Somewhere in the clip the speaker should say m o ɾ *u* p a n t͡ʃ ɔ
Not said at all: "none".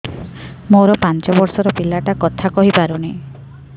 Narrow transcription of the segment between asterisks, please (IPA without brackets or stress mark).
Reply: ɔ